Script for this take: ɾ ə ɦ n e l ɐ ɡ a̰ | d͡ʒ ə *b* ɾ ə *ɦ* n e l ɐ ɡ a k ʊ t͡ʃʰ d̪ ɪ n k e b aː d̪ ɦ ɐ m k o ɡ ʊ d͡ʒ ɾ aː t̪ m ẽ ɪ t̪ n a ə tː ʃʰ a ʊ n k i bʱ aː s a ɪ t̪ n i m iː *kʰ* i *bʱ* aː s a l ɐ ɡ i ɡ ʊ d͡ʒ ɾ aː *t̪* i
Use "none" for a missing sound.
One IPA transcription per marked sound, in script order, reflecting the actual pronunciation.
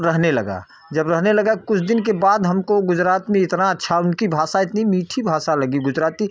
b, ɦ, ʈʰ, bʱ, t̪

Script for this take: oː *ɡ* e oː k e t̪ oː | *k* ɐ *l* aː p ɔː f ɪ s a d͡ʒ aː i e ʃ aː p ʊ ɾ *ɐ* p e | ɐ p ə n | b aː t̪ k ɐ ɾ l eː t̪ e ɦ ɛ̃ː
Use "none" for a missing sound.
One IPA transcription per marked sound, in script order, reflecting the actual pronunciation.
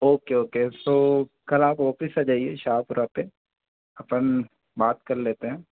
k, k, l, a

